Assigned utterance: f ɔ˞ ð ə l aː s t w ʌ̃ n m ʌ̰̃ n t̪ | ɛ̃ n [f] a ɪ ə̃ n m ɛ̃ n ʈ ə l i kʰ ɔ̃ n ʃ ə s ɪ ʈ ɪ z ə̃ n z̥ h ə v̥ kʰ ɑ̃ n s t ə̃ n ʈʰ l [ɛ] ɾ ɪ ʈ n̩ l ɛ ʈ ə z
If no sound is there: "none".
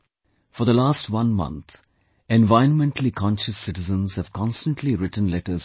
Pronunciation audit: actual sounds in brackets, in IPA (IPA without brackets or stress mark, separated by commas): v, i